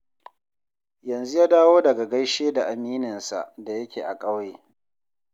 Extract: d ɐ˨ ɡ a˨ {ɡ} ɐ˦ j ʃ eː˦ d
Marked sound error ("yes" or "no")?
no